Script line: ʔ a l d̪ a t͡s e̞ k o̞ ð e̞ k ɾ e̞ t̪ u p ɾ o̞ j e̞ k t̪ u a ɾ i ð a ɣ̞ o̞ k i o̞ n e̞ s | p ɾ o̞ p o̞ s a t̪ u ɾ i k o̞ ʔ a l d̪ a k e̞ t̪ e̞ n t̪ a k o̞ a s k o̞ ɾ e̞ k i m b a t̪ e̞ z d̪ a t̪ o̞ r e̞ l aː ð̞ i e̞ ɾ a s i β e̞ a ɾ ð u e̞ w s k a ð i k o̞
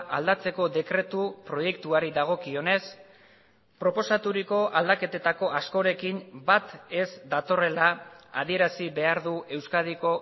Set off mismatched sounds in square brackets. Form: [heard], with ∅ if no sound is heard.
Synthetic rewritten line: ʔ a l d̪ a t͡s e̞ k o̞ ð e̞ k ɾ e̞ t̪ u p ɾ o̞ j e̞ k t̪ u a ɾ i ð a ɣ̞ o̞ k i o̞ n e̞ s | p ɾ o̞ p o̞ s a t̪ u ɾ i k o̞ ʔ a l d̪ a k e̞ t̪ e̞ [∅] t̪ a k o̞ a s k o̞ ɾ e̞ k i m b a t̪ e̞ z d̪ a t̪ o̞ r e̞ l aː ð̞ i e̞ ɾ a s i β e̞ a ɾ ð u e̞ w s k a ð i k o̞